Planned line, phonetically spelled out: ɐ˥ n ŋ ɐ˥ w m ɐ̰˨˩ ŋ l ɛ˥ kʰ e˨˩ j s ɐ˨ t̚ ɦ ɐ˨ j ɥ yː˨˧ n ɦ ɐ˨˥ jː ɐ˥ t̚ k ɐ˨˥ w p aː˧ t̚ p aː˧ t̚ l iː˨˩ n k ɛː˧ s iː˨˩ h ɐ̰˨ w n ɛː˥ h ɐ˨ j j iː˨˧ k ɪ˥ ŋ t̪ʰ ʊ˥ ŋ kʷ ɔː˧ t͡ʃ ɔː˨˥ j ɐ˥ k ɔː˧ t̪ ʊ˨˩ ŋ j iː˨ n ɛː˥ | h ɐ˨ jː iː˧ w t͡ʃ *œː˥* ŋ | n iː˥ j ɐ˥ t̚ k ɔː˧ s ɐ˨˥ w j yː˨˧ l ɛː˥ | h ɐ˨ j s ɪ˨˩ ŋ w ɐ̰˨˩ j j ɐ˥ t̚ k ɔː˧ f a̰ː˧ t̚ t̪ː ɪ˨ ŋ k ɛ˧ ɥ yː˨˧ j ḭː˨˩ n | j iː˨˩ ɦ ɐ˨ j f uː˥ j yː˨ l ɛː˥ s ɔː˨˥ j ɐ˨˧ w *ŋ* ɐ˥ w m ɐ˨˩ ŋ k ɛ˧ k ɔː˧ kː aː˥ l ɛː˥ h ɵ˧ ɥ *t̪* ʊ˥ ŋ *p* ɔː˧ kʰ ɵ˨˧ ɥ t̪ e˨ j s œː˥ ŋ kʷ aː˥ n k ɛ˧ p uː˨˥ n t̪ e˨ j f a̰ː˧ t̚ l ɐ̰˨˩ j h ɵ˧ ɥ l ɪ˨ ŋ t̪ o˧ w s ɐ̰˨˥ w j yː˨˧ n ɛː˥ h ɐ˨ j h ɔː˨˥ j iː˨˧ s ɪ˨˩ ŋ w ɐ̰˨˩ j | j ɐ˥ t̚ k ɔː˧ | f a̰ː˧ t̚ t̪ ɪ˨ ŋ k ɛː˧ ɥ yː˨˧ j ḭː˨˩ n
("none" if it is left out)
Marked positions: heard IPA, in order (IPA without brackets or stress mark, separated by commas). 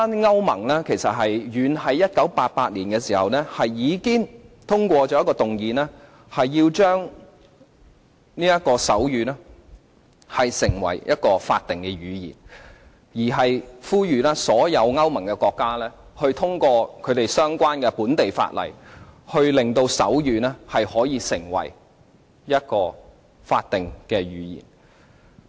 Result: œː˥, ŋ, t̪ʰ, k